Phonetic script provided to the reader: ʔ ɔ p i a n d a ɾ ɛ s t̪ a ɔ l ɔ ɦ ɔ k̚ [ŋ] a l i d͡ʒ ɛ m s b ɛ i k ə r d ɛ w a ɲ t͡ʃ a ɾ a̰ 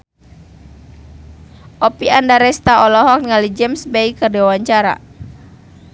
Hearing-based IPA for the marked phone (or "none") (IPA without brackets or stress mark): ŋ